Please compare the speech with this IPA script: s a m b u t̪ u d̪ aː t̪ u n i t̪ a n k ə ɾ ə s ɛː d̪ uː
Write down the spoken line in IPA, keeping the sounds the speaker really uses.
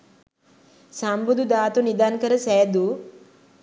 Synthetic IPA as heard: s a m b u d̪ u d̪ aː t̪ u n i d̪ a n k ə ɾ ə s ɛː d̪ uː